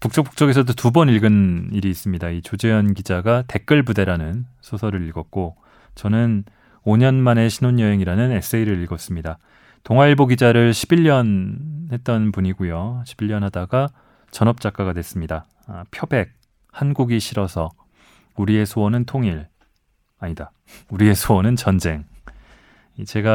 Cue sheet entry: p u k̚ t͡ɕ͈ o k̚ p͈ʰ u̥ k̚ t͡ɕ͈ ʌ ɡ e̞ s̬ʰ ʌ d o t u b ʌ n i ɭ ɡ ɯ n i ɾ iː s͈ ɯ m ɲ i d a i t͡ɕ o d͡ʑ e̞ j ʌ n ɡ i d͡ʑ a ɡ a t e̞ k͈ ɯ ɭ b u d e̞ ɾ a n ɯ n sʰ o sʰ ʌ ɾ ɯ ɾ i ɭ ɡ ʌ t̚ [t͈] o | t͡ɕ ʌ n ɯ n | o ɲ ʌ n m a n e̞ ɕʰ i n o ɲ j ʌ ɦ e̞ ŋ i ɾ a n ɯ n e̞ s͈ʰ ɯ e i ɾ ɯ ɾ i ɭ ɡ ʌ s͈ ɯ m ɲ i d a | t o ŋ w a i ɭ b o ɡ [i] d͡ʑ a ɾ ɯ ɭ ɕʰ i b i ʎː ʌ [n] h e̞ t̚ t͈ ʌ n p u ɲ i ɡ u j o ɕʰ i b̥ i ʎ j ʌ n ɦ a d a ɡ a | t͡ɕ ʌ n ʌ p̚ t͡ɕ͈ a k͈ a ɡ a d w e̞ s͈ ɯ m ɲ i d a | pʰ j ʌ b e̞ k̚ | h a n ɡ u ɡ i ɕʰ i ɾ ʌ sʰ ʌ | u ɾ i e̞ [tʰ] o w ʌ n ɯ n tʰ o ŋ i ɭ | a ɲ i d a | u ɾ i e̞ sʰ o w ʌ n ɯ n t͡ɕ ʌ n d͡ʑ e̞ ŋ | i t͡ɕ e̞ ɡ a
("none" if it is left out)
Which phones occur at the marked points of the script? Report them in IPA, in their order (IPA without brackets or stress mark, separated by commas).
k͈, i, n, sʰ